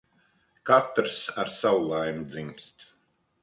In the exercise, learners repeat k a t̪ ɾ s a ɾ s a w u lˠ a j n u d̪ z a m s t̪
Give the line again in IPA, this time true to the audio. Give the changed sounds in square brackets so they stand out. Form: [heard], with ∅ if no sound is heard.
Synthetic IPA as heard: k a t̪ ɾ s a ɾ s a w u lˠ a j [m] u d̪ z [i] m s t̪